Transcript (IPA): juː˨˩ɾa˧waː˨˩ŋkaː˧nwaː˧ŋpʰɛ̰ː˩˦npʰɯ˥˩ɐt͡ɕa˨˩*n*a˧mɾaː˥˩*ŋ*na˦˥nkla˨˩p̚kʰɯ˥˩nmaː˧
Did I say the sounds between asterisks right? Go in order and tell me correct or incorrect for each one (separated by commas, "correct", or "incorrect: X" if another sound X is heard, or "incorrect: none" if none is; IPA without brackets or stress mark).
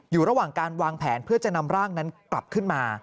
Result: correct, correct